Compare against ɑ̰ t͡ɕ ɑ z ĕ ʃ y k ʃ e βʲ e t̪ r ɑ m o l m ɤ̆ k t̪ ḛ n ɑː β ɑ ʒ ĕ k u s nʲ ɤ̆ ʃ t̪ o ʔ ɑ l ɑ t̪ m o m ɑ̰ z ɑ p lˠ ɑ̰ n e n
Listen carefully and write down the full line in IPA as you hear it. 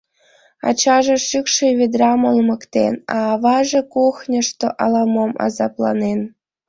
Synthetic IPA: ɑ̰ t͡ɕ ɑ ʒ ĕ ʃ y k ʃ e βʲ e d̪ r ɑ m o l m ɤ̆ k t̪ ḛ n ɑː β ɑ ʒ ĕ k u x nʲ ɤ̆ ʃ t̪ o ʔ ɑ l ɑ m o m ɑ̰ z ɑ p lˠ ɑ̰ n e n